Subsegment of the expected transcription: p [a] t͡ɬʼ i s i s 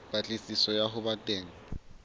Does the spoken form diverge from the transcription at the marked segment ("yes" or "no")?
no